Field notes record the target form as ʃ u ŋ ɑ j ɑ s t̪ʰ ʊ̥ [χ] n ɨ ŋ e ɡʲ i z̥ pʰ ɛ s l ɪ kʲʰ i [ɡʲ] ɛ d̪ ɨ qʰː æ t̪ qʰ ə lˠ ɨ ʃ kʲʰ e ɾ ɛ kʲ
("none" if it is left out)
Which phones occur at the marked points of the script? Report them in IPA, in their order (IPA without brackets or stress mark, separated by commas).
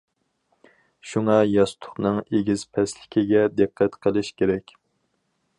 χ, ɡʲ